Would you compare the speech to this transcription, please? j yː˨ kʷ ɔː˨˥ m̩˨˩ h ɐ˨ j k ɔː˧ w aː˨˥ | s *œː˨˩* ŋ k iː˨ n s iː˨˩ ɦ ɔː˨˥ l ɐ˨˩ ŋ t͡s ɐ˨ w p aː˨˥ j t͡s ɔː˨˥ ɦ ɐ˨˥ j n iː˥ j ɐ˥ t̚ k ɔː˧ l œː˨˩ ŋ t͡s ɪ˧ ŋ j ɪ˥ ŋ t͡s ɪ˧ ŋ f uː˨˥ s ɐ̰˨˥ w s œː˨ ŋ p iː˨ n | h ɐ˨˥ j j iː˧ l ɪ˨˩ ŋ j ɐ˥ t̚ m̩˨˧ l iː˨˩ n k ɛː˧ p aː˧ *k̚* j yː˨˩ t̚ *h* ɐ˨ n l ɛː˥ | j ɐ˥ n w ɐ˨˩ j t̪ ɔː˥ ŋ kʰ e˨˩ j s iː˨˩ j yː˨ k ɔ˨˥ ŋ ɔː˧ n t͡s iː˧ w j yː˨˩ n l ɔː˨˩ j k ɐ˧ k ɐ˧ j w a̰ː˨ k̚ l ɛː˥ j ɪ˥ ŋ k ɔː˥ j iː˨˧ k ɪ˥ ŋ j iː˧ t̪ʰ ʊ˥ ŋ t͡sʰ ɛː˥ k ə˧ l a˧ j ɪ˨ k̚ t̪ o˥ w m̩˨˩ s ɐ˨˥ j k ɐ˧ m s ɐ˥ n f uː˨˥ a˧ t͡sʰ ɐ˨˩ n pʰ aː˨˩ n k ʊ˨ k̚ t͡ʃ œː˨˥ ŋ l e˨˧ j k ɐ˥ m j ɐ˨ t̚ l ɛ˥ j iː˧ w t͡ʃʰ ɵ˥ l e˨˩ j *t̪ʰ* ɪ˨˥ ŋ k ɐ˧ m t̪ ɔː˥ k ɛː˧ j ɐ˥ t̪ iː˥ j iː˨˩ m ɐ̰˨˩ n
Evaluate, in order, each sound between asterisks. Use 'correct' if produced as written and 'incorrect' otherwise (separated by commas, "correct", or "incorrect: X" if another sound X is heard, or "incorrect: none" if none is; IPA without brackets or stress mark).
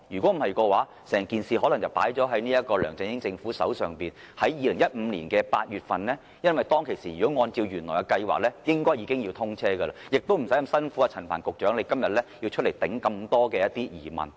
incorrect: ɛː˨˩, incorrect: t̚, incorrect: f, incorrect: t̪